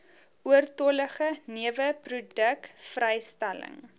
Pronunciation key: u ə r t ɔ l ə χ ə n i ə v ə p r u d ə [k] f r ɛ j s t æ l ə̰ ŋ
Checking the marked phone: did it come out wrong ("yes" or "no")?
no